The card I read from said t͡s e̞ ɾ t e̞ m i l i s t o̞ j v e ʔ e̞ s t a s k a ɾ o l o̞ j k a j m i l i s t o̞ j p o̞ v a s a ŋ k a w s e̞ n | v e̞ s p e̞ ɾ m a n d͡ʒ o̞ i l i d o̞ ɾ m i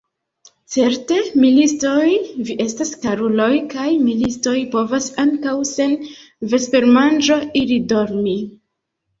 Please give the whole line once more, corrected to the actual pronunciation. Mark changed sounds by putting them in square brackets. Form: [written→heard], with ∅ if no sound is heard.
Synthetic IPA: t͡s e̞ ɾ t e̞ m i l i s t o̞ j v [e→i] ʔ e̞ s t a s k a ɾ [o→u] l o̞ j k a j m i l i s t o̞ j p o̞ v a s a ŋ k a w s e̞ n | v e̞ s p e̞ ɾ m a n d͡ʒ o̞ i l i d o̞ ɾ m i